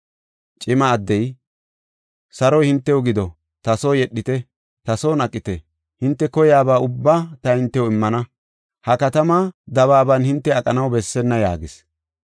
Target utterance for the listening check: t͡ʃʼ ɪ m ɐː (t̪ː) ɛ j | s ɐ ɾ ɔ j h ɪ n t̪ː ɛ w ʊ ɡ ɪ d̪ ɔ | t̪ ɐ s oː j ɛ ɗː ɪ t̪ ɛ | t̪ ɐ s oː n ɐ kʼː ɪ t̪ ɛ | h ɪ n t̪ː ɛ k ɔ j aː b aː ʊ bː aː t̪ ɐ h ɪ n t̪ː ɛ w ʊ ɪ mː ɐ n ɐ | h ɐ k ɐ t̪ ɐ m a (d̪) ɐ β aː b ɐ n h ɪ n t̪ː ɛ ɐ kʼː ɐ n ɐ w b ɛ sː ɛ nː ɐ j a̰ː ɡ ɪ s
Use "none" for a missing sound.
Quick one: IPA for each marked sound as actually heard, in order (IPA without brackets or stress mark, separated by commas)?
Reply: d̪ː, d̪